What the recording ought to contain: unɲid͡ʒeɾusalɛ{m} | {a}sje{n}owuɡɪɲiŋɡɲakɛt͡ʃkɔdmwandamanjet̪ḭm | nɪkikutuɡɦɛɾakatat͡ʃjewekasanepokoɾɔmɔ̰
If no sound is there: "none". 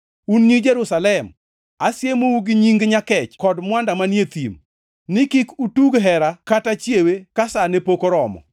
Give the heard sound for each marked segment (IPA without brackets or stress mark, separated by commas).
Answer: m, a, m